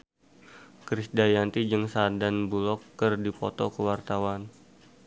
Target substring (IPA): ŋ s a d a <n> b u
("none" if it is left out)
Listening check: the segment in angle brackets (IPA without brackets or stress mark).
n